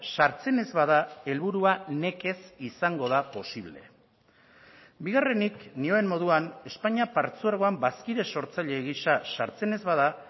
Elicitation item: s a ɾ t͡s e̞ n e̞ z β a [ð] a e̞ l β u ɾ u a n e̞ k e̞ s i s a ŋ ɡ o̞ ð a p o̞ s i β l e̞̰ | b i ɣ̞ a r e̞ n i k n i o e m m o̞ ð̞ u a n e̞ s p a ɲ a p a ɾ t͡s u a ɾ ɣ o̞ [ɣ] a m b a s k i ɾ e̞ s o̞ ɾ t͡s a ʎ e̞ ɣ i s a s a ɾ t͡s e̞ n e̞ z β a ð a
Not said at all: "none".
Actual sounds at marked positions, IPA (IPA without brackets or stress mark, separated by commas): ð, none